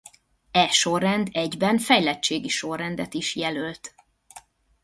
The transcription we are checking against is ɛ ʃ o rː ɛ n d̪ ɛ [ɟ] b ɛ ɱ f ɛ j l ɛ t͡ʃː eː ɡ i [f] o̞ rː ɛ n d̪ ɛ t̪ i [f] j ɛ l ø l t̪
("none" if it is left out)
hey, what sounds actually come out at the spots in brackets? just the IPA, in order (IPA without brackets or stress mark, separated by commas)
ɟ, ʃ, ʃ